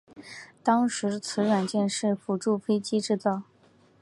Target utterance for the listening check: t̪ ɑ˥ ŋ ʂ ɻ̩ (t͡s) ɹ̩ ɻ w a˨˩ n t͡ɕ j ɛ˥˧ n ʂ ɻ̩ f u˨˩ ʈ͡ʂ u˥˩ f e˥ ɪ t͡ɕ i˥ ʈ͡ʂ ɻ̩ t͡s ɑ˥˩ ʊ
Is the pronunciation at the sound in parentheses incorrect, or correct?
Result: incorrect